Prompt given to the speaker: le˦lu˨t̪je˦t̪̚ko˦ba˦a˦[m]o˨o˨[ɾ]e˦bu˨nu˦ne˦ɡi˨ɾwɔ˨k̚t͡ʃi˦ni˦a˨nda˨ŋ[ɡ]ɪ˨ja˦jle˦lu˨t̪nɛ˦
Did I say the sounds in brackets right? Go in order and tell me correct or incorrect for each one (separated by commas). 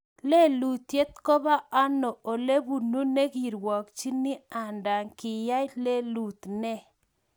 incorrect, incorrect, incorrect